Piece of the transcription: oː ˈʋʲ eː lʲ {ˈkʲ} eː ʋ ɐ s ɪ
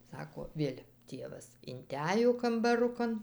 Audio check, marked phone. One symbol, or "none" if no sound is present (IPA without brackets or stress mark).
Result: tʲ